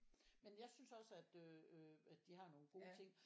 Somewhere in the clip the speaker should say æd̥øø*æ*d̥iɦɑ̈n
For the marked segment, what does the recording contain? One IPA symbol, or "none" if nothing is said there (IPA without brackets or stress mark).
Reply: æ